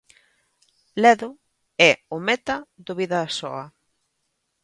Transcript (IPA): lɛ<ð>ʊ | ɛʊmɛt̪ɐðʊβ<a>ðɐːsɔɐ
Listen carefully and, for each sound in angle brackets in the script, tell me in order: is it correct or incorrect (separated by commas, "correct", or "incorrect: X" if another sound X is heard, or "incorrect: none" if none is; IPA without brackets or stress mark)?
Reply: correct, incorrect: i